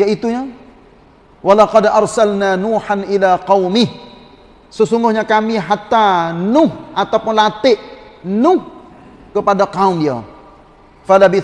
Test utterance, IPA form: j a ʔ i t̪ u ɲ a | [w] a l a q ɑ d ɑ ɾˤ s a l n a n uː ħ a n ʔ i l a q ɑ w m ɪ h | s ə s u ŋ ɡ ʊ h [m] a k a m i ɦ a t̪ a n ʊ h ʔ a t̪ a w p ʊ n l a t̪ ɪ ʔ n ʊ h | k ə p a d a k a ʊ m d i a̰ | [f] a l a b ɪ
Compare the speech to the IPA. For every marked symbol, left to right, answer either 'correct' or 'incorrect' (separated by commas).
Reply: correct, incorrect, correct